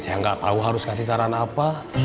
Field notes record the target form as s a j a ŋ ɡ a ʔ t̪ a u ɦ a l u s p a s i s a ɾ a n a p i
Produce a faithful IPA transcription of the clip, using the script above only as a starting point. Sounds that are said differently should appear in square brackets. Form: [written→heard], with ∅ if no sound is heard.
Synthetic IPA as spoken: s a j a ŋ ɡ a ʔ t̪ a u ɦ a [l→ɾ] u s [p→k] a s i s a ɾ a n a p [i→a]